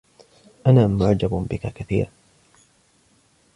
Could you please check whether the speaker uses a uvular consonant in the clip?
no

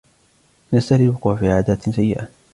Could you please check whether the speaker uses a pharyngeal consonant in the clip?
yes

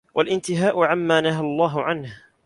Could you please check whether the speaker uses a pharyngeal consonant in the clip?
yes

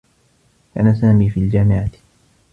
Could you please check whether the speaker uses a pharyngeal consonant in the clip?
yes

